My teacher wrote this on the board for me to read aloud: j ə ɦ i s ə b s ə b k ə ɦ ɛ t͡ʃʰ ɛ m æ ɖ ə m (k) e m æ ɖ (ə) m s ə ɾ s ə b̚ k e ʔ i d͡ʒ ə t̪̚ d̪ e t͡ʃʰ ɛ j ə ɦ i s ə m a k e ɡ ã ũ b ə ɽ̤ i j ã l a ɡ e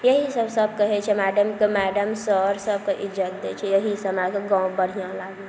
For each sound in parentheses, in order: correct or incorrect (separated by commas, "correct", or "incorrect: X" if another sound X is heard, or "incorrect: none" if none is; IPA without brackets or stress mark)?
correct, correct